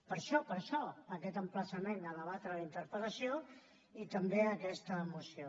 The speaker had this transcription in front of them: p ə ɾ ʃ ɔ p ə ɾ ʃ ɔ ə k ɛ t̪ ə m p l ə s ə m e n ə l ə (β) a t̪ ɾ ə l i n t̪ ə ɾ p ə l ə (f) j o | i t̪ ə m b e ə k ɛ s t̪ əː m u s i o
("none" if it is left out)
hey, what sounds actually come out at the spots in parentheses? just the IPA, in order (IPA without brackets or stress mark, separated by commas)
β, s